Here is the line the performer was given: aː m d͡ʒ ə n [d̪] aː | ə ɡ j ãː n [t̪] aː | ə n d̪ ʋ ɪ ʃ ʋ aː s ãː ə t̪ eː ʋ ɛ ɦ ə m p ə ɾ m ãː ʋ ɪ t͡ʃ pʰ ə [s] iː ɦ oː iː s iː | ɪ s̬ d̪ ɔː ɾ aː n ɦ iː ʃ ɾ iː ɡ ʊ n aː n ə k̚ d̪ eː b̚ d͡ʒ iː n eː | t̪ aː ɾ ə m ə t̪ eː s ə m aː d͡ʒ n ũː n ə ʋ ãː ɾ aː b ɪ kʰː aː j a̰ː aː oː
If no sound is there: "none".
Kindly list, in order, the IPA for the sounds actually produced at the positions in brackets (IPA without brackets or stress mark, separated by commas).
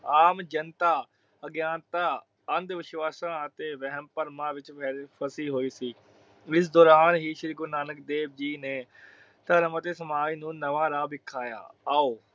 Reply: t̪, t̪, s